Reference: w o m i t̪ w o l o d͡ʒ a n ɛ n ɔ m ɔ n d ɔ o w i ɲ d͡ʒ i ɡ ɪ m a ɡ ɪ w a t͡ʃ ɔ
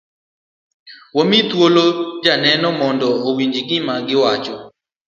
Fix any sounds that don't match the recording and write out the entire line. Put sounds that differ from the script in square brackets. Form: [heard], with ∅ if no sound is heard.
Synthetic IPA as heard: w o m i t̪ w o l o d͡ʒ a n ɛ n ɔ m ɔ n d ɔ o w i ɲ d͡ʒ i ɡ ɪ m a ɡ ɪ w a t͡ʃ ɔ

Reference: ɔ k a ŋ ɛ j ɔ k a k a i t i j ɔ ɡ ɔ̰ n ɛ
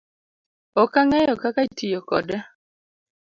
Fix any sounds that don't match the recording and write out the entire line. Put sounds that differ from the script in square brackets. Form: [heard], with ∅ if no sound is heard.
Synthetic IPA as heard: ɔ k a ŋ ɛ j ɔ k a k a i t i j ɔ [k] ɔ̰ [d] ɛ

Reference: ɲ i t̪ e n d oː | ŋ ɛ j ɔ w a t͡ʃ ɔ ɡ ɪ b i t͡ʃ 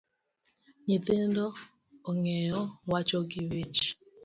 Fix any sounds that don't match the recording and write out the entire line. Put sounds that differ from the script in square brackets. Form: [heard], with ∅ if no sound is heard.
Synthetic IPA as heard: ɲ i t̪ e n d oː | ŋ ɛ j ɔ w a t͡ʃ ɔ ɡ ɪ [w] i t͡ʃ

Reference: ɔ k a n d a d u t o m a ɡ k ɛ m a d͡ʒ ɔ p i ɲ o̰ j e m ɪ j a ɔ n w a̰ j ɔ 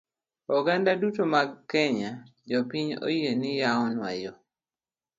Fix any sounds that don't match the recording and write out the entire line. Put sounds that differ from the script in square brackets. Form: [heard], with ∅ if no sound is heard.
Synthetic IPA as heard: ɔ [ɡ] a n d a d u t o m a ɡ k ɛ [ɲ] a d͡ʒ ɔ p i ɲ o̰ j e [n] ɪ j a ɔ n w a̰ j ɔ

